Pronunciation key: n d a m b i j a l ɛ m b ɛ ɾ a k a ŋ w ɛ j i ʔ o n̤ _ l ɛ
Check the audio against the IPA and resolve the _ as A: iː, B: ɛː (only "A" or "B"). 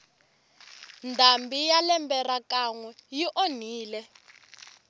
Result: A